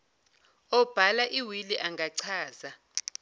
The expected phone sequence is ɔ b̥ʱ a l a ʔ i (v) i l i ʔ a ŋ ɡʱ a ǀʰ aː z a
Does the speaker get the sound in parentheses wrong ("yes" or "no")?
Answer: yes